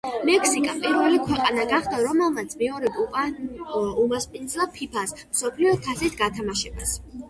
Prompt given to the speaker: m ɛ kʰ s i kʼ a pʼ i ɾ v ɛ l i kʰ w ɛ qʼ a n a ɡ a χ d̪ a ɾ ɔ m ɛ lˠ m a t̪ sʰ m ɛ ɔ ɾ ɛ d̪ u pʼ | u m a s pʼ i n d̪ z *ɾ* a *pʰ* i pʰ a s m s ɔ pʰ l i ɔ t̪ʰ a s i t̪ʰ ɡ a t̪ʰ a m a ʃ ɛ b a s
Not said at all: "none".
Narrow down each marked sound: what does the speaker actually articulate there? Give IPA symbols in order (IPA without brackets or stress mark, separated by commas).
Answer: l, pʰ